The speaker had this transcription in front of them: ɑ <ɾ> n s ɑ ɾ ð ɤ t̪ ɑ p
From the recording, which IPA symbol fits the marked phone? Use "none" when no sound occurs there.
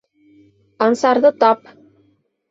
none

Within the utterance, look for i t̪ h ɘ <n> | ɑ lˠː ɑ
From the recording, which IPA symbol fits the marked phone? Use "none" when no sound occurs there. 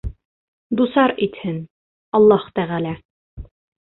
n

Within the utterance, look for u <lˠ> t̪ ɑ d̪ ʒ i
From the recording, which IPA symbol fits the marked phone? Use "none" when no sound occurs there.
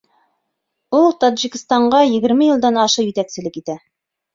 lˠ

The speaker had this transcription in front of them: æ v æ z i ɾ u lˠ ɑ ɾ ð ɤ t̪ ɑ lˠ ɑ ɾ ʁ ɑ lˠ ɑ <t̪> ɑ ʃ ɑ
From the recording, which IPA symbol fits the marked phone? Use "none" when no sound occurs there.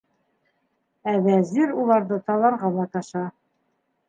t̪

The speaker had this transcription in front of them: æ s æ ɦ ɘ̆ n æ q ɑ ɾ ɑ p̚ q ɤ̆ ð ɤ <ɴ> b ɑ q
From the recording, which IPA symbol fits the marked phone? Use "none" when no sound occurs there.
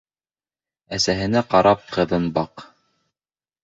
n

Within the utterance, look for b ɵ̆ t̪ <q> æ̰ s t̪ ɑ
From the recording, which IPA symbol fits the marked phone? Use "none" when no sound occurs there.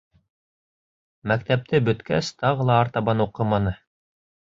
k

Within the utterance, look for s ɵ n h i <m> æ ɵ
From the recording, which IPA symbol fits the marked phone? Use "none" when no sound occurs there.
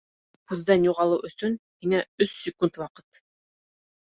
ŋ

